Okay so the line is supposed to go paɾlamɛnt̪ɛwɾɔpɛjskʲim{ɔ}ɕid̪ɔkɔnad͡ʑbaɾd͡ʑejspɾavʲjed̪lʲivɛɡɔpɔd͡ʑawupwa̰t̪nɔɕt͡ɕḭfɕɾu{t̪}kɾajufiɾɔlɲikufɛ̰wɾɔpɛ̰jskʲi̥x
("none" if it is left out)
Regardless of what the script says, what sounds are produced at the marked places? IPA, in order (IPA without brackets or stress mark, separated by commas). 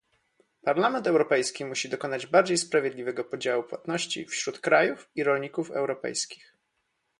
u, t̪